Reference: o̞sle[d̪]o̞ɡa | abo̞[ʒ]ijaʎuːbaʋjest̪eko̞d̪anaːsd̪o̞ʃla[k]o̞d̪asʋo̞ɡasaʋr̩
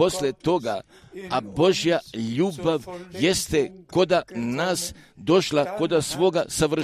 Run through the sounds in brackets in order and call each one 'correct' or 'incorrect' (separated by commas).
incorrect, correct, correct